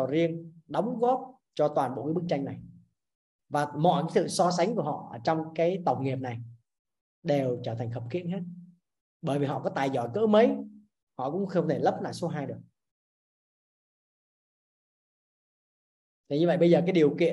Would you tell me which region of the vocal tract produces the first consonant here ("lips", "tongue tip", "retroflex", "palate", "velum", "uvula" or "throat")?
tongue tip